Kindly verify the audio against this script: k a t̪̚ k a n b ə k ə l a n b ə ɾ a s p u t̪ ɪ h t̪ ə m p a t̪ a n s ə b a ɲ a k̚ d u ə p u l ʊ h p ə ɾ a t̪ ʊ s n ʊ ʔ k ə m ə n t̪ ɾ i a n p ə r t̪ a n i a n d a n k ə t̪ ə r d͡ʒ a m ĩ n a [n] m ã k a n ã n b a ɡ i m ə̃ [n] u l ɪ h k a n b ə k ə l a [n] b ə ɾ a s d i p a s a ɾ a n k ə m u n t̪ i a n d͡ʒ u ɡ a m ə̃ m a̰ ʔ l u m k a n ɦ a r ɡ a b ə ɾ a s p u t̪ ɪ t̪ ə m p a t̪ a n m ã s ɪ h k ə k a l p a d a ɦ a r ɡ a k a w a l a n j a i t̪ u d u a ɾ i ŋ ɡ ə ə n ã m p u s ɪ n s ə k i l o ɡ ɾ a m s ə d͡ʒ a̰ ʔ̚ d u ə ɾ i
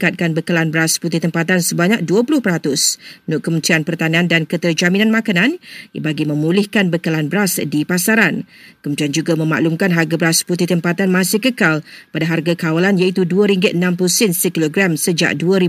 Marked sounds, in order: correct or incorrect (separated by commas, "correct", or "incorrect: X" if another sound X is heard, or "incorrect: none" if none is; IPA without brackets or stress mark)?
correct, incorrect: m, correct